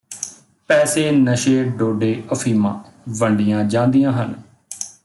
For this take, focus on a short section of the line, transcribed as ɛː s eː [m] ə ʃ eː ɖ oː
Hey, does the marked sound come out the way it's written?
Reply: no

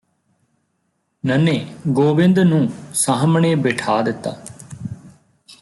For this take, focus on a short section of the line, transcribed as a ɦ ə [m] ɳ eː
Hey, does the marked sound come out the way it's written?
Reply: yes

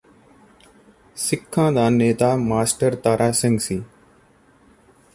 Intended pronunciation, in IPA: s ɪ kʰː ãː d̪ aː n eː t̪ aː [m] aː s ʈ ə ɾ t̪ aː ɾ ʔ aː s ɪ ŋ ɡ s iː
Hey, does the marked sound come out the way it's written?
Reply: yes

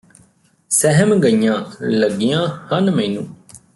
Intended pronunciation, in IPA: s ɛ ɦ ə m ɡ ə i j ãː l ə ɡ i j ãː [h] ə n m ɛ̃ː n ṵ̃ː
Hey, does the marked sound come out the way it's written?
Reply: yes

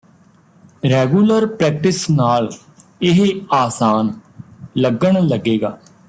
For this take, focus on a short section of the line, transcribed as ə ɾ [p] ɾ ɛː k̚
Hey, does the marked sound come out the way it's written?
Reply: yes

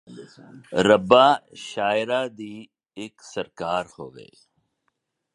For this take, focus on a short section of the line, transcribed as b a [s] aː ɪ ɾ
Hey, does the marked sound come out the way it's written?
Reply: no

